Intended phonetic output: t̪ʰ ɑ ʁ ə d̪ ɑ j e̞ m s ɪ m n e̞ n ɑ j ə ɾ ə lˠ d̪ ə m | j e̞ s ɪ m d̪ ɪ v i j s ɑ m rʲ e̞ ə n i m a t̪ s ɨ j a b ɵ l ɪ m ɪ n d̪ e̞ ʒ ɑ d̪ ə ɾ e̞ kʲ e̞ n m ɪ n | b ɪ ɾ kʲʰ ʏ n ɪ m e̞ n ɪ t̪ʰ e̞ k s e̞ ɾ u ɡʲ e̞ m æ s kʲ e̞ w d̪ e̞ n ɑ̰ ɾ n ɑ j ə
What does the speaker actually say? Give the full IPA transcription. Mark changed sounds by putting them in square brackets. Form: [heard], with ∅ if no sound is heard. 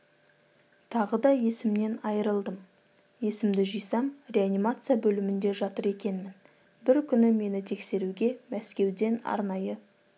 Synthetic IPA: t̪ʰ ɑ ʁ ə d̪ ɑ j e̞ [∅] s ɪ m n e̞ n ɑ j ə ɾ ə lˠ d̪ ə m | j e̞ s ɪ m d̪ ɪ [ʒ] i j s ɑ m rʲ e̞ [a] n i m a t̪ s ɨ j a b ɵ l ɪ m ɪ n d̪ e̞ ʒ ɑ [t̪] ə ɾ e̞ kʲ e̞ n m ɪ n | b ɪ ɾ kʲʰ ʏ n ɪ m e̞ n ɪ t̪ʰ e̞ k s e̞ ɾ u ɡʲ e̞ m æ s kʲ e̞ w d̪ e̞ n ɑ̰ ɾ n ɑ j ə